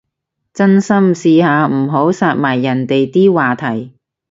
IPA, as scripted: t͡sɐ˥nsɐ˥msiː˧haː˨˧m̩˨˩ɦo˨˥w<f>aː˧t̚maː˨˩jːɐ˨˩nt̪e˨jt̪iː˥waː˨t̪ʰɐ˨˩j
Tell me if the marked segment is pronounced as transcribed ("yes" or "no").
no